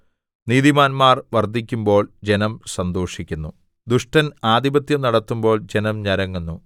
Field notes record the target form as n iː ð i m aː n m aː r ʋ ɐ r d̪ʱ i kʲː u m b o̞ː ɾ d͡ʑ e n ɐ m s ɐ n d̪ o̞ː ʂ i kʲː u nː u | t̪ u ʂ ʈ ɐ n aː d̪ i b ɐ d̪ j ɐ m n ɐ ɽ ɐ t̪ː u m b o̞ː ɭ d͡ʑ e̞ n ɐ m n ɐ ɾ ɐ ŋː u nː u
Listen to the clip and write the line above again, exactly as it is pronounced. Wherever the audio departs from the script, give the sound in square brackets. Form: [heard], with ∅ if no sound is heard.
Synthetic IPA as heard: n iː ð i m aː n m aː r ʋ ɐ r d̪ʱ i kʲː u m b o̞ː [ɭ] d͡ʑ e n ɐ m s ɐ n d̪ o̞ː ʂ i kʲː u nː u | [d̪] u ʂ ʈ ɐ n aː d̪ i b ɐ [t̪] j ɐ m n ɐ ɽ ɐ t̪ː u m b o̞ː ɭ d͡ʑ e̞ n ɐ m [ɲ] ɐ ɾ ɐ ŋː u nː u